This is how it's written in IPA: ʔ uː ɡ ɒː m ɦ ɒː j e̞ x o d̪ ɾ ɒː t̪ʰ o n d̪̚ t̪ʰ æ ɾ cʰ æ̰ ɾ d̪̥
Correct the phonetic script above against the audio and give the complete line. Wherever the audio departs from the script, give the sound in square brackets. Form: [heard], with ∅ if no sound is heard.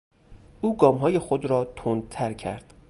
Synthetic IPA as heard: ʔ uː ɡ ɒː m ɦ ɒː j e̞ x o d̪ ɾ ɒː t̪ʰ o n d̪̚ t̪ʰ æ ɾ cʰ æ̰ ɾ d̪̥